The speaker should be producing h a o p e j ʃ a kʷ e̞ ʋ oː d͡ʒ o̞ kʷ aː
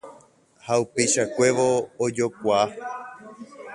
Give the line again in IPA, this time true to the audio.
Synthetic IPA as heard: h a u p e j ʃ a kʷ e̞ ʋ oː d͡ʒ o̞ kʷ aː